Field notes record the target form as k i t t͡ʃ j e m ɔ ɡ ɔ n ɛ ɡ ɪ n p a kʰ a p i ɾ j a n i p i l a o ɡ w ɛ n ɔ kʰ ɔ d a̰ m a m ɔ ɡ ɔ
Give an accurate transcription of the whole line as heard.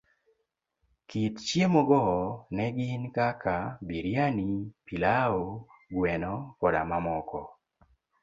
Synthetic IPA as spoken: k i t t͡ʃ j e m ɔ ɡ ɔ n ɛ ɡ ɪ n k a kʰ a b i ɾ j a n i p i l a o ɡ w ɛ n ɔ k ɔ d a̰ m a m ɔ k ɔ

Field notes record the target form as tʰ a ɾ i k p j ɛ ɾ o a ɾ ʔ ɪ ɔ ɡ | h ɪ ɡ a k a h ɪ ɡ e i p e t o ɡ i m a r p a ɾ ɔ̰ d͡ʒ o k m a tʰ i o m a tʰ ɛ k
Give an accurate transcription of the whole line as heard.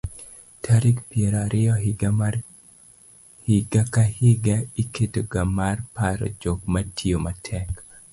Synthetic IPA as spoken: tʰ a ɾ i k p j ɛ ɾ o a ɾ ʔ ɪ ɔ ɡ | h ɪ ɡ a k a h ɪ ɡ a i k e t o ɡ a m a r p a ɾ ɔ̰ d͡ʒ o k m a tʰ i o m a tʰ ɛ k

